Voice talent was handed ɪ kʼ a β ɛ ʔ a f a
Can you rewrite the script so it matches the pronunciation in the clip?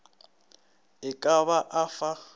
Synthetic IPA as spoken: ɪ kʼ a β a ʔ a f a